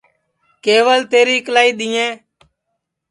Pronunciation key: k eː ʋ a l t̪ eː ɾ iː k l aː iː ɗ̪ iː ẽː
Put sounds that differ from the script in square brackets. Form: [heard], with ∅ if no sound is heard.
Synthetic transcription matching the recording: k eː ʋ [ə] l t̪ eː ɾ iː k l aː iː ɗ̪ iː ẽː